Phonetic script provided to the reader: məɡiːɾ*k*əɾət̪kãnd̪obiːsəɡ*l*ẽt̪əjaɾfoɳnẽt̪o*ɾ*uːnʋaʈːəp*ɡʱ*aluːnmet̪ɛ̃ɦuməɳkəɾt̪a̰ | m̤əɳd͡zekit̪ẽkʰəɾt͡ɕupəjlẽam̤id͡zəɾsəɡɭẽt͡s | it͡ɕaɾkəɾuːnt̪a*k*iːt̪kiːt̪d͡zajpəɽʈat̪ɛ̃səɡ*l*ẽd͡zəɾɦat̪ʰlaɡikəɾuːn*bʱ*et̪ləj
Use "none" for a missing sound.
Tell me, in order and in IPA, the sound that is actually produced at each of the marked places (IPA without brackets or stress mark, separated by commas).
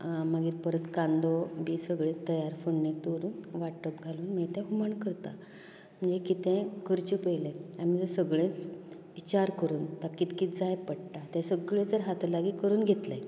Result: p, ɭ, ɾ, ɡʱ, k, ɭ, ɡʱ